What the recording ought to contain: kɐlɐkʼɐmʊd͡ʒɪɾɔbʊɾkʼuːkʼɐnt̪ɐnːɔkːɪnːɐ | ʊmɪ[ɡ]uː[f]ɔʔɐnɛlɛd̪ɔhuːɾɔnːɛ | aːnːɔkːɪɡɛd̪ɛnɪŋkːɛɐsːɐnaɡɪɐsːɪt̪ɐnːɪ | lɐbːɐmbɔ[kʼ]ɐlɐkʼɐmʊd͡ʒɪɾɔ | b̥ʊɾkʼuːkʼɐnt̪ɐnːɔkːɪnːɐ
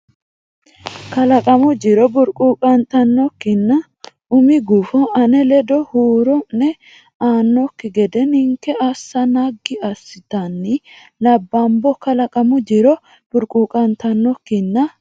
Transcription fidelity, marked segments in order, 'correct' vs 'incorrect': correct, correct, incorrect: k

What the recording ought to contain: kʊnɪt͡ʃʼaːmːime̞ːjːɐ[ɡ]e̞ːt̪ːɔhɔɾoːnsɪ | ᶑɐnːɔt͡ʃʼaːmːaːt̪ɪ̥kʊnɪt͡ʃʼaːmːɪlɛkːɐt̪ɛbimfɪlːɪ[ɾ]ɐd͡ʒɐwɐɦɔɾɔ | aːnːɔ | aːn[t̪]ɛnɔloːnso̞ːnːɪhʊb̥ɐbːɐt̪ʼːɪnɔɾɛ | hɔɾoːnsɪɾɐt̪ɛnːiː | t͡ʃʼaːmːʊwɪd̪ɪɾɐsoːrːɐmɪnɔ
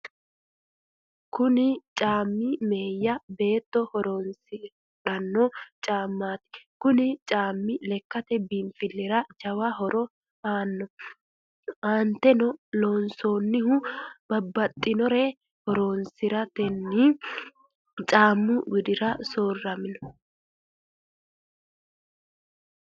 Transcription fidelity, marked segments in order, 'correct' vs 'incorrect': incorrect: b, correct, correct

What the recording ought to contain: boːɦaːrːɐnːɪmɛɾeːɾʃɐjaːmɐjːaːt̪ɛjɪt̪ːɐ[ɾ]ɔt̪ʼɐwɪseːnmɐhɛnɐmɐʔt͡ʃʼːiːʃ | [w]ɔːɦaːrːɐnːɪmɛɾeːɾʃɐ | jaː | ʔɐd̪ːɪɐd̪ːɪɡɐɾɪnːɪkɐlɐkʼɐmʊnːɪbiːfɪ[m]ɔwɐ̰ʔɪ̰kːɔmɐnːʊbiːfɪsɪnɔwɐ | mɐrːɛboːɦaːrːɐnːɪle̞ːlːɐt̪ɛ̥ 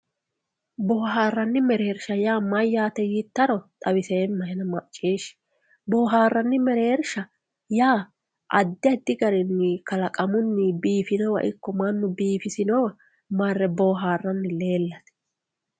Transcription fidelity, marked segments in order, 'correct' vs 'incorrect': correct, incorrect: b, incorrect: n

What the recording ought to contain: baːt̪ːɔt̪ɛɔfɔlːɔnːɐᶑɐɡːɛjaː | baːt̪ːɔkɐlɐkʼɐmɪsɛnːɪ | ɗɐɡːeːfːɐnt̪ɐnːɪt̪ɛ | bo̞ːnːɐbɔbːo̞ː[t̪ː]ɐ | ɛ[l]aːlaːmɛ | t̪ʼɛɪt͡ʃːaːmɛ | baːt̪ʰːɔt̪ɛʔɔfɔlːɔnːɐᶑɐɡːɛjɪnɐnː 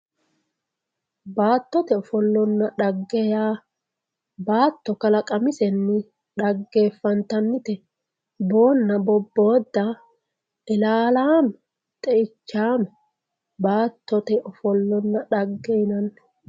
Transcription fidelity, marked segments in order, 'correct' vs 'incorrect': incorrect: d̪ː, correct

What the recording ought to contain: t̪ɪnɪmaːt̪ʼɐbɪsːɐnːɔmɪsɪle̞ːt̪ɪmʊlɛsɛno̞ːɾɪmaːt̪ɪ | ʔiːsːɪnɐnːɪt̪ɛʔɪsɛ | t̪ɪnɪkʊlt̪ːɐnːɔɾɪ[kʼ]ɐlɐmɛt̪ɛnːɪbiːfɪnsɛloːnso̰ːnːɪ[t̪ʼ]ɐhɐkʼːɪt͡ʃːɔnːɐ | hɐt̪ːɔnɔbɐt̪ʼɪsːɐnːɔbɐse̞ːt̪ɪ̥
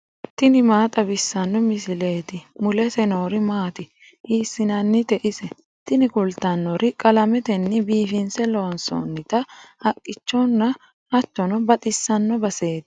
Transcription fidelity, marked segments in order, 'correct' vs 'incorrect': correct, incorrect: t̪

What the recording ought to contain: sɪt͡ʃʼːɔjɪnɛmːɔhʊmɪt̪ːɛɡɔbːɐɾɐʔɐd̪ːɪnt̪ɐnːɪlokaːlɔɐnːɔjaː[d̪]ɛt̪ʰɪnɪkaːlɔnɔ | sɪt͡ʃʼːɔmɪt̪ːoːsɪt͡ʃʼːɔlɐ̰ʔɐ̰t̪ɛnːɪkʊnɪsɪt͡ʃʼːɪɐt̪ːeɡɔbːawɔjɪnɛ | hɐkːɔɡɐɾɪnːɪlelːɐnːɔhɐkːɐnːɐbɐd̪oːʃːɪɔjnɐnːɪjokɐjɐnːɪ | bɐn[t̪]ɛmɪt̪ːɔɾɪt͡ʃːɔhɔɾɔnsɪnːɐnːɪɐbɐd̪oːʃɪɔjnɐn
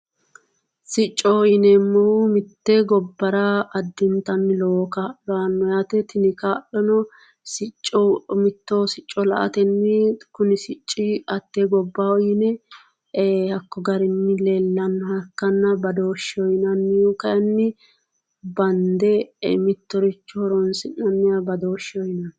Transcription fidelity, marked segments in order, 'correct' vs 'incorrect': incorrect: t̪, incorrect: d̪

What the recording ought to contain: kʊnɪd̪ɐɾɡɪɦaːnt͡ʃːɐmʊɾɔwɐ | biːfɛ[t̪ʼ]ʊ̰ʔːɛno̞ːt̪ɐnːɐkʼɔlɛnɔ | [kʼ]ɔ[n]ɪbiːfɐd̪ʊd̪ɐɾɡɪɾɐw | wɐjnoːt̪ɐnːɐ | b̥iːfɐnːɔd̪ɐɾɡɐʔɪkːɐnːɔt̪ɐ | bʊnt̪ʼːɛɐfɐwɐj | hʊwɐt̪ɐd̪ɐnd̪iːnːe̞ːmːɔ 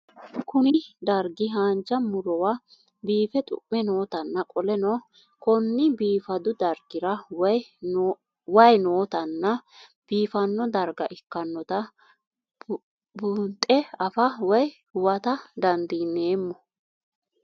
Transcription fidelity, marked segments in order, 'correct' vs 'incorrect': correct, incorrect: k, incorrect: nː

